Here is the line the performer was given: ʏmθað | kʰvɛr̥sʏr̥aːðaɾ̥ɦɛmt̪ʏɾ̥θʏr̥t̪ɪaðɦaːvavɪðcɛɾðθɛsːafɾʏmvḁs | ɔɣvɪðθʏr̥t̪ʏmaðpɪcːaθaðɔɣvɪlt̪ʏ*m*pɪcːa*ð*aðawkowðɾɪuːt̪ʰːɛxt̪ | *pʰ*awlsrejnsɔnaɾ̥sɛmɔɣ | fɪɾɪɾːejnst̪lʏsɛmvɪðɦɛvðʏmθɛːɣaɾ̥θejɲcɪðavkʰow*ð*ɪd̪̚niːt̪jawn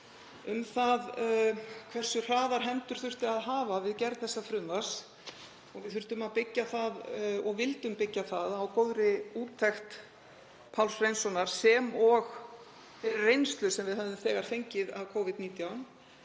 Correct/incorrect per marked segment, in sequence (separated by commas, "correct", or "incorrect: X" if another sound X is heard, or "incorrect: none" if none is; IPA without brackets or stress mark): correct, incorrect: θ, correct, incorrect: v